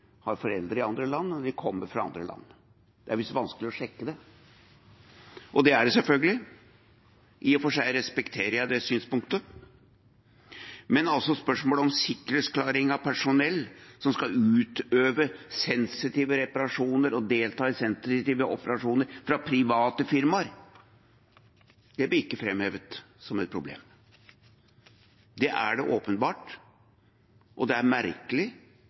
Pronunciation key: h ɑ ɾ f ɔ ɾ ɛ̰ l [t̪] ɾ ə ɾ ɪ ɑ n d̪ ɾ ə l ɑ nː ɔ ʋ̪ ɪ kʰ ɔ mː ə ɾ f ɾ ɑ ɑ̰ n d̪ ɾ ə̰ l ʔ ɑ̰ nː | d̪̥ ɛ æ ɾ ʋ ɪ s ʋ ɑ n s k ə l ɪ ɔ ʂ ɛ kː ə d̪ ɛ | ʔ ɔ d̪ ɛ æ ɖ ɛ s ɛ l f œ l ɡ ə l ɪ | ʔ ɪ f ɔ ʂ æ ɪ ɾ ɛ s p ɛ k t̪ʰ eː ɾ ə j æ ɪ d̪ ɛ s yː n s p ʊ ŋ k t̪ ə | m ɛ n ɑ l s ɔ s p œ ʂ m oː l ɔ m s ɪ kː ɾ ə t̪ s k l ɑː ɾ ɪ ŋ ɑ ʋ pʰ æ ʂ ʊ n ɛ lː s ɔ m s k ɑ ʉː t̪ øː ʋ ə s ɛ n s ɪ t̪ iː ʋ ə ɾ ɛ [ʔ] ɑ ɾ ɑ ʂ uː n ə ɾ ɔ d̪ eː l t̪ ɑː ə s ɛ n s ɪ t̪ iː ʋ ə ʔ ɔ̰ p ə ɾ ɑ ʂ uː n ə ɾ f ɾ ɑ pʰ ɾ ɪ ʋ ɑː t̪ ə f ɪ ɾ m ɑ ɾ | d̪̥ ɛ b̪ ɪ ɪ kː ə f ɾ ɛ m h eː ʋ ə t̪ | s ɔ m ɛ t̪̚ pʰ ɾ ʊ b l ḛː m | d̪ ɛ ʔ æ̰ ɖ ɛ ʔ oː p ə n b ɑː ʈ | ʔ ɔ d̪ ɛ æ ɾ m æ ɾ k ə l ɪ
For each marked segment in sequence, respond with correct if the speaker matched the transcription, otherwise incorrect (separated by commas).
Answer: incorrect, incorrect